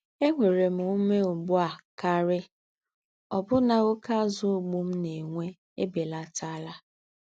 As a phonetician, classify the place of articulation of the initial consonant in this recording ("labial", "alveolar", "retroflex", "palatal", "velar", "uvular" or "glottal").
velar